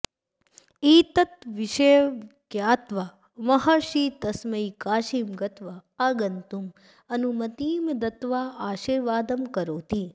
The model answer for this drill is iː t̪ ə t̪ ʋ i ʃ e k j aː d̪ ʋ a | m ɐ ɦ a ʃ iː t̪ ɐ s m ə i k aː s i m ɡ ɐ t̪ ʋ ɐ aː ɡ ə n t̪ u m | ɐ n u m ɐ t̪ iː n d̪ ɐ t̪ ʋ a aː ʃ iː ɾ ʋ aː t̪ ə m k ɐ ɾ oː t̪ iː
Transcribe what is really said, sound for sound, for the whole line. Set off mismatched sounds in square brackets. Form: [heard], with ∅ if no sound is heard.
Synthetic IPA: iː t̪ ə t̪ ʋ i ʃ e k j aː [t̪] ʋ a | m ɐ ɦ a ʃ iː t̪ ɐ s m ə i k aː [ʃ] i m ɡ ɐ t̪ ʋ [a] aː ɡ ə n t̪ u m | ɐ n u m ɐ t̪ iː [m] d̪ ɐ t̪ ʋ a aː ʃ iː ɾ ʋ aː [d̪] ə m k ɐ ɾ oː t̪ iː